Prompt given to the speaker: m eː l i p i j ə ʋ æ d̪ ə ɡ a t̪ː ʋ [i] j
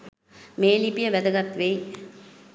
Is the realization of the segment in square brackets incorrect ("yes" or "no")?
yes